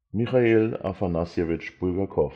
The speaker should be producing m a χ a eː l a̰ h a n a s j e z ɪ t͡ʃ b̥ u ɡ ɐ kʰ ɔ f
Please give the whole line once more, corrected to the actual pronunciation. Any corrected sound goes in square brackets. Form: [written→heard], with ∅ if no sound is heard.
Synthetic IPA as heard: m [a→i] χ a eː l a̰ [h→f] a n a s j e [z→v] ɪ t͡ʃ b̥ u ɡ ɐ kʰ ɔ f